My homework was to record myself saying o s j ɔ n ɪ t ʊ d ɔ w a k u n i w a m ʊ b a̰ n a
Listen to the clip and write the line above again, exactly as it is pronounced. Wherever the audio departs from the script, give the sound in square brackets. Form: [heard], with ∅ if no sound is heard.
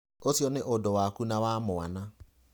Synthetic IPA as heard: o s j ɔ n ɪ [ʔ] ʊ d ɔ w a k u n [a] w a m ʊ [w] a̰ n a